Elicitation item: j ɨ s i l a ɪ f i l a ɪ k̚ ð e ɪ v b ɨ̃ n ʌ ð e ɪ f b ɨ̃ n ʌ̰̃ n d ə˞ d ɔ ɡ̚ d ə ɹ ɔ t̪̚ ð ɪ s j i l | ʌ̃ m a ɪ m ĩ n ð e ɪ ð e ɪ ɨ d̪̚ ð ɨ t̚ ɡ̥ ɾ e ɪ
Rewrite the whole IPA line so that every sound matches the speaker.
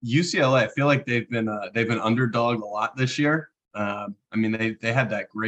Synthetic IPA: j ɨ s i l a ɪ f i l a ɪ k̚ ð e ɪ v b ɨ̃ n ʌ ð e ɪ v b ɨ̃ n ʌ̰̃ n d ə˞ d ɔ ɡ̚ d ə l ɔ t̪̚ ð ɪ s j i ɹ | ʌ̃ m a ɪ m ĩ n ð e ɪ ð e ɪ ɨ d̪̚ ð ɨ t̚ ɡ̥ ɹ e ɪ